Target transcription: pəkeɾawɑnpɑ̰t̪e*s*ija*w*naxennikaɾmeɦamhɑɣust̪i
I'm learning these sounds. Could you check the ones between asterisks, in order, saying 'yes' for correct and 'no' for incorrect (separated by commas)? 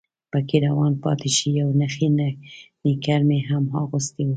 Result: no, yes